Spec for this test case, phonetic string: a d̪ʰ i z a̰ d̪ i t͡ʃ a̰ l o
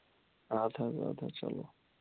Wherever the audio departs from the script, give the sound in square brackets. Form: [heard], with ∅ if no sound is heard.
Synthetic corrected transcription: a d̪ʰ [a] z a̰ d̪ [a] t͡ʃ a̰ l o